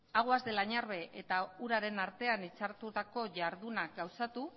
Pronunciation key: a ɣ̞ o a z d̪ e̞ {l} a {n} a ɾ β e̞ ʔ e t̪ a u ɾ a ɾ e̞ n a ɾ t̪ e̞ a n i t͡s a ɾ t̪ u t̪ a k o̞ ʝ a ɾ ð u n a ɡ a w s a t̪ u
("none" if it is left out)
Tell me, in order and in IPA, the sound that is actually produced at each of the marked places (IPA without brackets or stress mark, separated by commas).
l, ɲ